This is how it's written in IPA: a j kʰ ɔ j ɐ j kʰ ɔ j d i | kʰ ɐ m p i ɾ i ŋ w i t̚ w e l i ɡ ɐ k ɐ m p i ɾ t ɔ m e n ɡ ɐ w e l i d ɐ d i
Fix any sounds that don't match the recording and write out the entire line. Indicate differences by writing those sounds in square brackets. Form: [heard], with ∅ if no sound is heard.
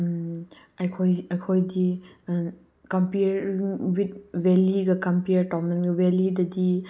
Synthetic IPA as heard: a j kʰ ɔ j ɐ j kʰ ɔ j d i | [k] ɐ m p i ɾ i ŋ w i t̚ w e l i ɡ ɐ k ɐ m p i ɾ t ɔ m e n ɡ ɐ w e l i d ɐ d i